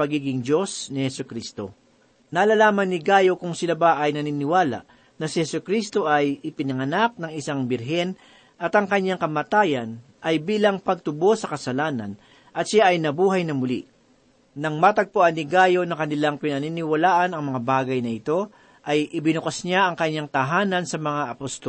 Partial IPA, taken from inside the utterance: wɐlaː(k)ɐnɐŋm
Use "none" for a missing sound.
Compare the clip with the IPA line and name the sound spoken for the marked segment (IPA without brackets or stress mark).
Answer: ʔ